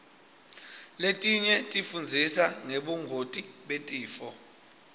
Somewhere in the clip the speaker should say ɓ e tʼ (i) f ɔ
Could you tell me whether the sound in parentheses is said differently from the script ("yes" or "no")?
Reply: yes